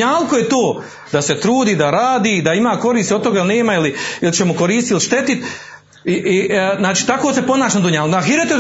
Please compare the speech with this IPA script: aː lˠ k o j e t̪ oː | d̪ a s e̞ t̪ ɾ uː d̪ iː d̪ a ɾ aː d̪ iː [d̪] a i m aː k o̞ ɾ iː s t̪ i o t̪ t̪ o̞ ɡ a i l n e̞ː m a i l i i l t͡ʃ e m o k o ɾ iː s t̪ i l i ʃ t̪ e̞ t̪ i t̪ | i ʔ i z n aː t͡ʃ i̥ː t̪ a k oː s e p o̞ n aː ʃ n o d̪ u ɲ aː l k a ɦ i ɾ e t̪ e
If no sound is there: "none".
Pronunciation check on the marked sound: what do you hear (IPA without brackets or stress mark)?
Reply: d̪